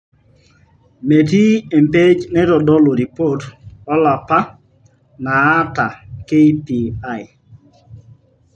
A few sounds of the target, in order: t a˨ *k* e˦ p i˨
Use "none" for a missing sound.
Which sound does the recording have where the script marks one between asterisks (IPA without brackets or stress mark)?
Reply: k